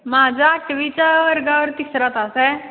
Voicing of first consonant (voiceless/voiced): voiced